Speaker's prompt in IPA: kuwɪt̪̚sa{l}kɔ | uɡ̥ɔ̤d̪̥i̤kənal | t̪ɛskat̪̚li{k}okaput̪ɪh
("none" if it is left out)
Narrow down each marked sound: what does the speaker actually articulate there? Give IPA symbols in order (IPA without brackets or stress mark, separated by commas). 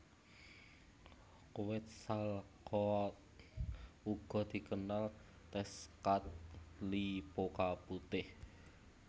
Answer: l, p